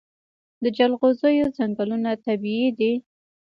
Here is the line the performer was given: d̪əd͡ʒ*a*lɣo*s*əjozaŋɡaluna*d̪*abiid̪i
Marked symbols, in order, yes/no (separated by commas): yes, no, no